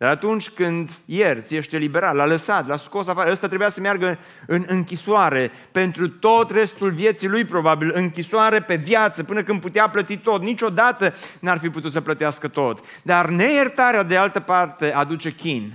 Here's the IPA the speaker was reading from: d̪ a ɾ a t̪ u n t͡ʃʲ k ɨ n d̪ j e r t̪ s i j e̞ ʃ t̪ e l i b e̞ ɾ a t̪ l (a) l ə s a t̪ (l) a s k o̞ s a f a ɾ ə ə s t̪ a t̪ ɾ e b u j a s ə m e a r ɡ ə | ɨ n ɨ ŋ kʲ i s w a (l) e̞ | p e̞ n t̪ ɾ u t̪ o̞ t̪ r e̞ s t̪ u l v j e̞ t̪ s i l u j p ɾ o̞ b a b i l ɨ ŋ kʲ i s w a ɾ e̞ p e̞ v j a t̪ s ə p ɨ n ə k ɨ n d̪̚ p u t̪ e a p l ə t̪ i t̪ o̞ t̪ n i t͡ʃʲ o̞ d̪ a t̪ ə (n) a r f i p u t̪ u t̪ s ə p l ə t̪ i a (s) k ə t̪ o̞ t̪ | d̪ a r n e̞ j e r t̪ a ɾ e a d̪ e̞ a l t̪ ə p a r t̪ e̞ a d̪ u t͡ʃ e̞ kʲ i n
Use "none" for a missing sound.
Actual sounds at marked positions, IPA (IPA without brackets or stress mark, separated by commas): a, l, ɾ, n, s